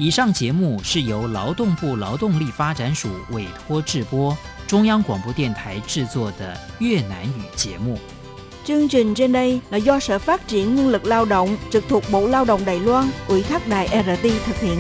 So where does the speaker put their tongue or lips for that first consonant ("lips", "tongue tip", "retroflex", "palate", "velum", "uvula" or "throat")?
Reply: retroflex